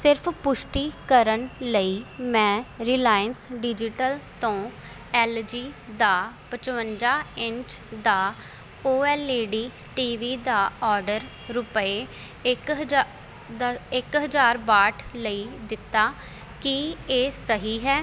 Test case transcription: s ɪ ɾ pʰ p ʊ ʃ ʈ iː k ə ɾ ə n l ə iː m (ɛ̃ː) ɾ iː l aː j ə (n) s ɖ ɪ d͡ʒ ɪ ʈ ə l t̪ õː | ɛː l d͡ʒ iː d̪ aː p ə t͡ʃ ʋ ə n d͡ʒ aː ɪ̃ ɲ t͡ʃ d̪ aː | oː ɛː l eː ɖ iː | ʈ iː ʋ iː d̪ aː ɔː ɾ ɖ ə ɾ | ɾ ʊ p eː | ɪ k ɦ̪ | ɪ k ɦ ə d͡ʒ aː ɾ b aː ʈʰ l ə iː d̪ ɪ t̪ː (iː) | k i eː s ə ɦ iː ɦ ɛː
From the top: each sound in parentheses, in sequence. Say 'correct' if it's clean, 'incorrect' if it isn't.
correct, correct, incorrect

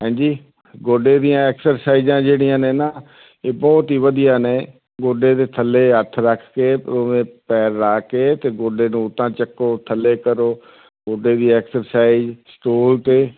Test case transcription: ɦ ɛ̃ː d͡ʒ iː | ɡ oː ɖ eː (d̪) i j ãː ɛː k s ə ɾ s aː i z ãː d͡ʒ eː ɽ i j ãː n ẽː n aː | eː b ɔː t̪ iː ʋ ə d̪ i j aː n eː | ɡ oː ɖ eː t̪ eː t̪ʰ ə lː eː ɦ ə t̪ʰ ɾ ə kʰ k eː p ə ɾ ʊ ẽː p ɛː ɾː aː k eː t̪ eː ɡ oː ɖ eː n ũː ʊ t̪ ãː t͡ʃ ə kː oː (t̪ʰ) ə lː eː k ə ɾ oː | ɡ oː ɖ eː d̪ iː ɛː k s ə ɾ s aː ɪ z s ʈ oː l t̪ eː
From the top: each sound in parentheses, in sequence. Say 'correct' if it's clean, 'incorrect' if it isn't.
correct, correct

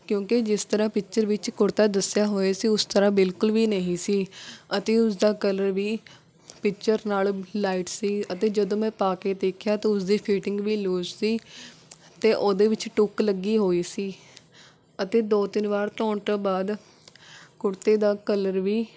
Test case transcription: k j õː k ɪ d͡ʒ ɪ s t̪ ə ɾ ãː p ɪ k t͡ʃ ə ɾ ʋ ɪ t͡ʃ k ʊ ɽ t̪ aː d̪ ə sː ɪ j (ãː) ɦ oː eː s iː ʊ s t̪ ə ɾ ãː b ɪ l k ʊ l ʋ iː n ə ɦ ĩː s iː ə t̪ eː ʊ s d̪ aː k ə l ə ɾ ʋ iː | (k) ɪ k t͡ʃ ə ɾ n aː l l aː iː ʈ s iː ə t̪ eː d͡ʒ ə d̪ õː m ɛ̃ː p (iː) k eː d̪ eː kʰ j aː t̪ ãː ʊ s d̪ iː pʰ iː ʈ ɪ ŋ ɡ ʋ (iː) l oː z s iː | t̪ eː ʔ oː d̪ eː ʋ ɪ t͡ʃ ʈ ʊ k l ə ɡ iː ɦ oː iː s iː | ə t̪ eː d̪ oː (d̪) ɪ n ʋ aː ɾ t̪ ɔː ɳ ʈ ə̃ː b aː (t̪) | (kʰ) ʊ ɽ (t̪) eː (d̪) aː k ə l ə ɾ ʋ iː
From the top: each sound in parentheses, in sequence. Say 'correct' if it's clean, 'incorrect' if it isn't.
incorrect, incorrect, incorrect, correct, incorrect, incorrect, incorrect, correct, correct

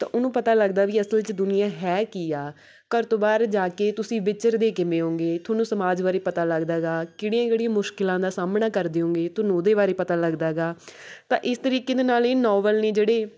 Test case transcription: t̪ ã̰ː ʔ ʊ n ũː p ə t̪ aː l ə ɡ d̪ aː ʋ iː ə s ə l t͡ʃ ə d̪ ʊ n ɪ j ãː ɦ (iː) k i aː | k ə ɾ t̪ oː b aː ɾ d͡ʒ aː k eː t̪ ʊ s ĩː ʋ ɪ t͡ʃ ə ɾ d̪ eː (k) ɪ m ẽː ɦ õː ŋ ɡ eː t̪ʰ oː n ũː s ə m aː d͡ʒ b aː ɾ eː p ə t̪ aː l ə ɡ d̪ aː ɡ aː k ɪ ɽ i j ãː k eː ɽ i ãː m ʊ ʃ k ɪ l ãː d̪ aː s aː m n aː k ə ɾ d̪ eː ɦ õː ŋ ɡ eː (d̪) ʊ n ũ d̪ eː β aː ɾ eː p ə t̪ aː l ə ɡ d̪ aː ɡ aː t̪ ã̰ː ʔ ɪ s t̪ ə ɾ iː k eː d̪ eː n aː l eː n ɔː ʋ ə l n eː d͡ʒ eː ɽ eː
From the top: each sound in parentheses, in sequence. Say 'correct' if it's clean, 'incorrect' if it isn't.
incorrect, correct, incorrect

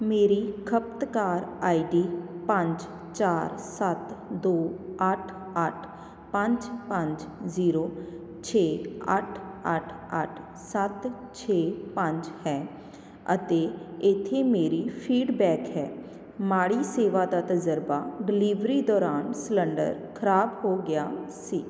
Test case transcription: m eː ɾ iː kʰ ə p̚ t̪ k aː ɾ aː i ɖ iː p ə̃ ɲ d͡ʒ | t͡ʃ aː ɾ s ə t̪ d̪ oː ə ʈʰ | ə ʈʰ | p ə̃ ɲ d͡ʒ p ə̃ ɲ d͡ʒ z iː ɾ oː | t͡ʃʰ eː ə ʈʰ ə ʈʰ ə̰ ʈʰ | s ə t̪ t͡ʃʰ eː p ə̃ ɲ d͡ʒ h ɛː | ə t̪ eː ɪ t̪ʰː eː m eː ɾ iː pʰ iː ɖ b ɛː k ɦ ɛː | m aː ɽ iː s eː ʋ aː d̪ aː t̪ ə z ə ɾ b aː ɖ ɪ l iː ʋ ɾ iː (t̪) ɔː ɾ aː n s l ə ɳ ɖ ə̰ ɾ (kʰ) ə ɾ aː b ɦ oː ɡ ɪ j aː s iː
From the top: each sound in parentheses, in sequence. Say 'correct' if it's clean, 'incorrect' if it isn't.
incorrect, correct

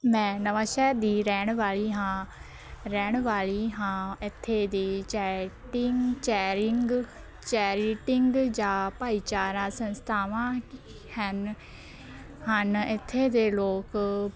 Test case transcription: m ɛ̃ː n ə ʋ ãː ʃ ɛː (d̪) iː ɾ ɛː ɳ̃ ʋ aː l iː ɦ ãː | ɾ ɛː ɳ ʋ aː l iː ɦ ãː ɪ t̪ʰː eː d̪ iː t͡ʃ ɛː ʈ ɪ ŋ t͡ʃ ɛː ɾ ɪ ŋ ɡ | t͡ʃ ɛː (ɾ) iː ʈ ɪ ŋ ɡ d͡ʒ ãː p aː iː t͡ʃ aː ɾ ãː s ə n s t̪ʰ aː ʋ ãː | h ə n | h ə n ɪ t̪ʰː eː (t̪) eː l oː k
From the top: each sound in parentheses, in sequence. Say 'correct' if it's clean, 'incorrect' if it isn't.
correct, correct, incorrect

